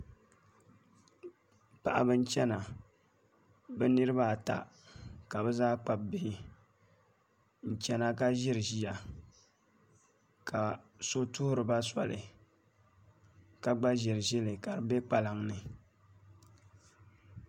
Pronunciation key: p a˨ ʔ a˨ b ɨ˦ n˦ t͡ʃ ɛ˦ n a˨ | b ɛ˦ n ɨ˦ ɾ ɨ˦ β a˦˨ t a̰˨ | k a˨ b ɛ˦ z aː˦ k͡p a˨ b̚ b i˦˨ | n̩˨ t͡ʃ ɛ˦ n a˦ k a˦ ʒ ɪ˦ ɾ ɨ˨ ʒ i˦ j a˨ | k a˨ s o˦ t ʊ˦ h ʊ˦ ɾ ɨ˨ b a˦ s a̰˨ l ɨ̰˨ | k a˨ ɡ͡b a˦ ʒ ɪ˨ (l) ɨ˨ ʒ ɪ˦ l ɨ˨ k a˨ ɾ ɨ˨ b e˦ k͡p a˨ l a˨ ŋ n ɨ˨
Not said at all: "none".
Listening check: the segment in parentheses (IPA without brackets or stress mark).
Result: ɾ